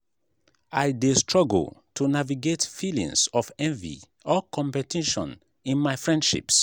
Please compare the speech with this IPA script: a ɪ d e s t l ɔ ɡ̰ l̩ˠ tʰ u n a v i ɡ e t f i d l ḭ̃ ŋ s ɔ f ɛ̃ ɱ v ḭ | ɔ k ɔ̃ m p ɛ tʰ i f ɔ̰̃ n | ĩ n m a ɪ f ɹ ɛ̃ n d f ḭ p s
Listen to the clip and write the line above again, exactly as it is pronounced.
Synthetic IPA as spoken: a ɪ d e s t ɹ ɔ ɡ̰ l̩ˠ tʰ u n a v i ɡ e t f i l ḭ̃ ŋ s ɔ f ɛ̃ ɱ v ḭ | ɔ k ɔ̃ m p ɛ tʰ i ʃ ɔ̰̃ n | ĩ n m a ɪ f ɹ ɛ̃ n d ʃ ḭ p s